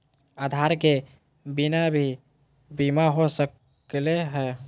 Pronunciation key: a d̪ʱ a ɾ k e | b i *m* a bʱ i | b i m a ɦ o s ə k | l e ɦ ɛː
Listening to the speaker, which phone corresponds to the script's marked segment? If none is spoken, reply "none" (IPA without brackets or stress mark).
n